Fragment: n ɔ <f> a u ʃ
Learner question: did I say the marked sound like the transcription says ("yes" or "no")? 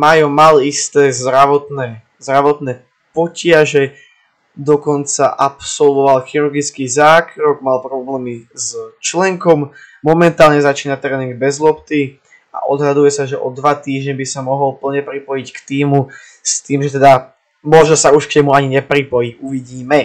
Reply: no